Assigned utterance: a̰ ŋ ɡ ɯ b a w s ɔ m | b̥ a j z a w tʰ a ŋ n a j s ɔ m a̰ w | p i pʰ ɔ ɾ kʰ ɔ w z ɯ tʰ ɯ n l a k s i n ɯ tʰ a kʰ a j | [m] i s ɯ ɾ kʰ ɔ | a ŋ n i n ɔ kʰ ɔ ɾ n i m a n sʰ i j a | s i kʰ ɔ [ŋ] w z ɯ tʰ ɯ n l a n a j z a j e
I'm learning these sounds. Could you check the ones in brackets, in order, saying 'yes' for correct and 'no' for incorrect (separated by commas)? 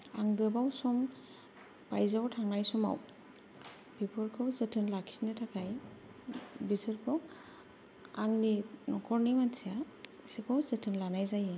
no, no